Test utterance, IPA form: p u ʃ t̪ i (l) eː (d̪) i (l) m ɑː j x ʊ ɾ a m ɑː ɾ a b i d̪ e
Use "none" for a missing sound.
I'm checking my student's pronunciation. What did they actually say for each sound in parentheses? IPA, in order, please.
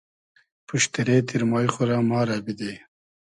ɾ, t̪, ɾ

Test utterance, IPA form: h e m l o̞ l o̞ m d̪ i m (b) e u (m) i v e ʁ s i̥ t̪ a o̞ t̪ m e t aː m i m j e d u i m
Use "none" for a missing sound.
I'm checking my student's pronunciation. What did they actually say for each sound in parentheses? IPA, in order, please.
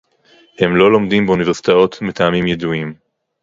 b, n

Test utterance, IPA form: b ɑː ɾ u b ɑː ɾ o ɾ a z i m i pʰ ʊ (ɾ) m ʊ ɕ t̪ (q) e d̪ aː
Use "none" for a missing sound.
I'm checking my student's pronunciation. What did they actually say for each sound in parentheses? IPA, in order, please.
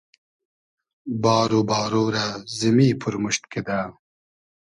ɾ, k

